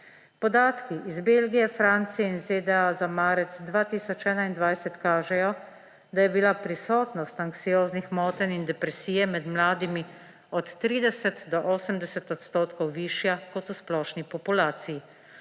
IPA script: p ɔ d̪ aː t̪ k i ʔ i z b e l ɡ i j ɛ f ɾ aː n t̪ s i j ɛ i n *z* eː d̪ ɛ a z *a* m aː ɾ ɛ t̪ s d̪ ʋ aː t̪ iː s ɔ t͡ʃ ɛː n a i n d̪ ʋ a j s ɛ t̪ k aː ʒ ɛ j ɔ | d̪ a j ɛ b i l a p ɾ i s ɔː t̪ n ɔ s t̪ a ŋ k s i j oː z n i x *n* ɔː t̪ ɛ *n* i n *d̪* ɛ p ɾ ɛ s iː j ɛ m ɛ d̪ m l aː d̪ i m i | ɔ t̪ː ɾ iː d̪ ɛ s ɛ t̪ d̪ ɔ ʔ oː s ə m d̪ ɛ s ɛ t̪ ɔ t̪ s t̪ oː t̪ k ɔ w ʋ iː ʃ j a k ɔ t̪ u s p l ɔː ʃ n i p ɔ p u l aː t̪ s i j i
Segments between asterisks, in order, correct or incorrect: correct, correct, incorrect, correct, correct

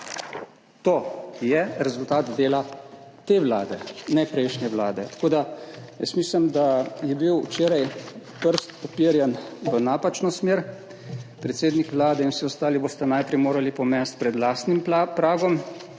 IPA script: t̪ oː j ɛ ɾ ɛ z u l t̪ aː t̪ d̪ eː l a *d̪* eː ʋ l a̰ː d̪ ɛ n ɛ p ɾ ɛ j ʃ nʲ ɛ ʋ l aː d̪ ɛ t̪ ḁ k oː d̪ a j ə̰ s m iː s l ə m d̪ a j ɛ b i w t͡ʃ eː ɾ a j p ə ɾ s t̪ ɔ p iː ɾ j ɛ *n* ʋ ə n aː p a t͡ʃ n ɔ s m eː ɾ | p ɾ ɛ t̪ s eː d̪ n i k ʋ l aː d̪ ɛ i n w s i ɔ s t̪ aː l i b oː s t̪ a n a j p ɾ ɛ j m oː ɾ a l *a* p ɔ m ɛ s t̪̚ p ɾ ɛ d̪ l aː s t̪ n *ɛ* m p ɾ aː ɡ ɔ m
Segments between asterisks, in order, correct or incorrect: incorrect, correct, incorrect, incorrect

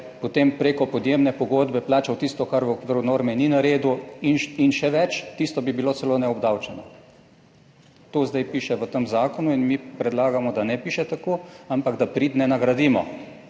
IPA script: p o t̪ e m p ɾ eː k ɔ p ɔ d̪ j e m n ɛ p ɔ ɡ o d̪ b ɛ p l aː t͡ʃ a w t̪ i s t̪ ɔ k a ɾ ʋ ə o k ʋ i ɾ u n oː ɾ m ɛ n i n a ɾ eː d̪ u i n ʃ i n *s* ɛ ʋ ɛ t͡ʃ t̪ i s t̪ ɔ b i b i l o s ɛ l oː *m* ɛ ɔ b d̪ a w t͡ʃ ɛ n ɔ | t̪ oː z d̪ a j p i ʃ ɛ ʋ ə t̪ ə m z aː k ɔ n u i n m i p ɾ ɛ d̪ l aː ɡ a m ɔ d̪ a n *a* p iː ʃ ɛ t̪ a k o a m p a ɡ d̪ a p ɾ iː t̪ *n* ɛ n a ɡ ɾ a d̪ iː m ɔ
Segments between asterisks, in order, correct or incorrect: incorrect, incorrect, incorrect, correct

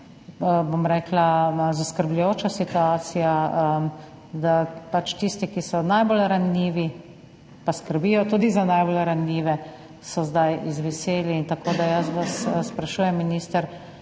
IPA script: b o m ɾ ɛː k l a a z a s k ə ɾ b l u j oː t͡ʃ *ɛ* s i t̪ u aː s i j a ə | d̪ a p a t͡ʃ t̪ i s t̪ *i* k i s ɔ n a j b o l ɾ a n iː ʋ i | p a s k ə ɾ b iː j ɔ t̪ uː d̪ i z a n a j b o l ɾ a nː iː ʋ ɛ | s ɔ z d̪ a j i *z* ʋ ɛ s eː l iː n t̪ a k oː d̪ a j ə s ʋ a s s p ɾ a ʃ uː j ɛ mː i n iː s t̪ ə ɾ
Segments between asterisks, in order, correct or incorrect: incorrect, correct, correct

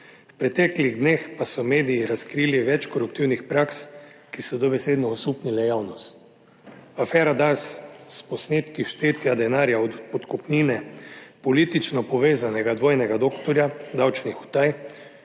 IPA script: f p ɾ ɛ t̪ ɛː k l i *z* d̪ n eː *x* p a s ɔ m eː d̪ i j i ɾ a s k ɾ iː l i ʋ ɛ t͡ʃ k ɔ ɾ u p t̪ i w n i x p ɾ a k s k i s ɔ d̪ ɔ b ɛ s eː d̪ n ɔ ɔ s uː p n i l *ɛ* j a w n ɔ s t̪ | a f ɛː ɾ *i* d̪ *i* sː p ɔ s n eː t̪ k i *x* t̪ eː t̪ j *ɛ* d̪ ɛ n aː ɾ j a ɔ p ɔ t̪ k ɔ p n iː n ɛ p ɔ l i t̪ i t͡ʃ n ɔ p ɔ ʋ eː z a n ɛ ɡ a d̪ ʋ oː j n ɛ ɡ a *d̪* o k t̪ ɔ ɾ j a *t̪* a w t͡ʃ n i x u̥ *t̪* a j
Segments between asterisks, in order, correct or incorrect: incorrect, correct, correct, incorrect, incorrect, incorrect, incorrect, correct, incorrect, correct

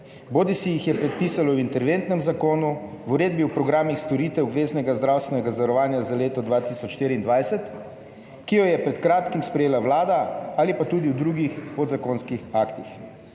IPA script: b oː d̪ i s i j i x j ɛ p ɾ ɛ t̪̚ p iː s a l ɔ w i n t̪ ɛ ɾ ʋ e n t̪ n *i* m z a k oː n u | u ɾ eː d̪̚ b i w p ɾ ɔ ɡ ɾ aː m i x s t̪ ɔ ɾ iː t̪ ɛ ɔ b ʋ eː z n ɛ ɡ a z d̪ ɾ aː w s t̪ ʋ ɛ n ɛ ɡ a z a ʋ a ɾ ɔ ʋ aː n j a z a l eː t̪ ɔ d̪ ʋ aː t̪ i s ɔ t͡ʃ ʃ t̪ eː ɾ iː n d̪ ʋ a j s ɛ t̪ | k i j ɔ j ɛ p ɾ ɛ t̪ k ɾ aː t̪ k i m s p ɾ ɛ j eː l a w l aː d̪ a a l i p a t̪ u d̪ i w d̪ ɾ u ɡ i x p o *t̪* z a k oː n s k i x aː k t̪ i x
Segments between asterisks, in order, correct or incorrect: incorrect, incorrect

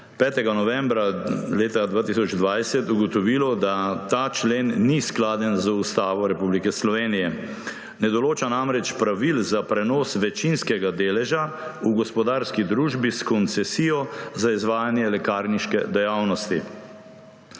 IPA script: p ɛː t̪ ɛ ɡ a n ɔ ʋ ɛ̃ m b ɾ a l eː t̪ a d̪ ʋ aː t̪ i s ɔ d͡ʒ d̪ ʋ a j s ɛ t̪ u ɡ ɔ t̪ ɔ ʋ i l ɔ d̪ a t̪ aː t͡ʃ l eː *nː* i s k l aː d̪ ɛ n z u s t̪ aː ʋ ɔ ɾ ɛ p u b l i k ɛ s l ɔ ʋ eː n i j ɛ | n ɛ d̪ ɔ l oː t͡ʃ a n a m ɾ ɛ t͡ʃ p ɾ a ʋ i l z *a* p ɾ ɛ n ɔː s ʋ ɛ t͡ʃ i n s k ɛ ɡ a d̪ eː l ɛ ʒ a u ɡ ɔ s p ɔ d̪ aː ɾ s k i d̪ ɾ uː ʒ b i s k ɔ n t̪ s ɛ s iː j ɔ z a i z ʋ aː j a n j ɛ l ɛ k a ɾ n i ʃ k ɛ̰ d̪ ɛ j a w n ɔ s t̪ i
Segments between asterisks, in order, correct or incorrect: correct, correct

